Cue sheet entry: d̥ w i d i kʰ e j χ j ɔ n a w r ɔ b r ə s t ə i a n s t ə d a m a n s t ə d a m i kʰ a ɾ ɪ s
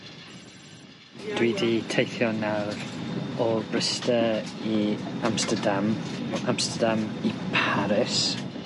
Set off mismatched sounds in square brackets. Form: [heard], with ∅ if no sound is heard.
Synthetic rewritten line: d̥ w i d i [tʰ] e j [θ] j ɔ n a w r ɔ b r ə s t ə i a [m] s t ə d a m a [m] s t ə d a m i [pʰ] a ɾ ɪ s